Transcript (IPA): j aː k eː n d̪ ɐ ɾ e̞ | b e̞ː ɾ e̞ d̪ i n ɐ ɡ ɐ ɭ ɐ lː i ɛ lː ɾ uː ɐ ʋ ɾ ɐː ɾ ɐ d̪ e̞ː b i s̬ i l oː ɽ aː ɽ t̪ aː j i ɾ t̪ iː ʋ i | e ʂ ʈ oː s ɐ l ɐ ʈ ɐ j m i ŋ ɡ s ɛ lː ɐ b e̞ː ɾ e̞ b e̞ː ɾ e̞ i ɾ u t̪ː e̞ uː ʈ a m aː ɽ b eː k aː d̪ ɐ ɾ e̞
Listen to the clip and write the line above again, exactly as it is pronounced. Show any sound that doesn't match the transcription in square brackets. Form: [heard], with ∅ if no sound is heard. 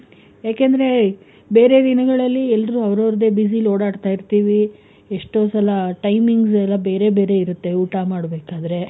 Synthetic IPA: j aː k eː n d̪ ɐ ɾ e̞ | b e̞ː ɾ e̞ d̪ i n ɐ ɡ ɐ ɭ ɐ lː i ɛ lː ɾ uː ɐ ʋ ɾ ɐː ɾ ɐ d̪ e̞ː b i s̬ i l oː ɽ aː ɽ t̪ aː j i ɾ t̪ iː ʋ i | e ʂ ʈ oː s ɐ l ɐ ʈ ɐ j m i ŋ ɡ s ɛ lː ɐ b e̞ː ɾ e̞ b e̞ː ɾ e̞ i ɾ u t̪ː e̞ uː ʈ a m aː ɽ b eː k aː d̪ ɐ ɾ e̞